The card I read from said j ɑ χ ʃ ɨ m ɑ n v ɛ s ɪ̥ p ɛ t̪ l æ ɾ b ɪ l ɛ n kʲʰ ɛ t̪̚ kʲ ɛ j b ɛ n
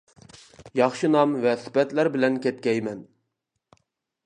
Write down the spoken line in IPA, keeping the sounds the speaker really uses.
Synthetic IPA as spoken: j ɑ χ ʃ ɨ n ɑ m v ɛ s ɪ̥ p ɛ t̪ l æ ɾ b ɪ l ɛ n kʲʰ ɛ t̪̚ kʲ ɛ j m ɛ n

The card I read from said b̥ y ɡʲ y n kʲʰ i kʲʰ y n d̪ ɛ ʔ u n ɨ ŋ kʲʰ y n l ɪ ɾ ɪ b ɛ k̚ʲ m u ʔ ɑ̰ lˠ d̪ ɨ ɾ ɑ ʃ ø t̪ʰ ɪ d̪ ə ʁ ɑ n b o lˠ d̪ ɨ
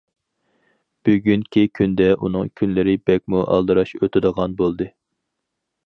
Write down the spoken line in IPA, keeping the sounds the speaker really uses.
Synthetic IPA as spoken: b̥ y ɡʲ y n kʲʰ i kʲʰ y n d̪ ɛ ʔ u n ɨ ŋ kʲʰ y n l ɪ ɾ ɪ b ɛ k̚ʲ m u ʔ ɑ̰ lˠ d̪ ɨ ɾ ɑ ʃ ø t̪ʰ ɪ d̪ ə ʁ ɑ n b o lˠ d̪ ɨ

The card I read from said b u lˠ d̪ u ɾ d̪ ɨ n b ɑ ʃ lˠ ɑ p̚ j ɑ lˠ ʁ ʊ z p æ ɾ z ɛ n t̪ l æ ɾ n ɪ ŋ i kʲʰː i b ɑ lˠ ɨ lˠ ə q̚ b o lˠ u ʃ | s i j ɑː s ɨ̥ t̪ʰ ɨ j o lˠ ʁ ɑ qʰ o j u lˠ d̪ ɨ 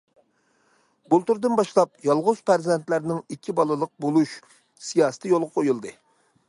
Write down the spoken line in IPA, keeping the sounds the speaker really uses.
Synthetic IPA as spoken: b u lˠ t̪ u ɾ d̪ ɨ n b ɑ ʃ lˠ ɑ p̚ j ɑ lˠ ʁ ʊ z p æ ɾ z ɛ n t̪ l æ ɾ n ɪ ŋ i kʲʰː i b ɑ lˠ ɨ lˠ ə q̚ b o lˠ u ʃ | s i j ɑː s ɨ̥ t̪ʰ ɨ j o lˠ ʁ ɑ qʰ o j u lˠ d̪ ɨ

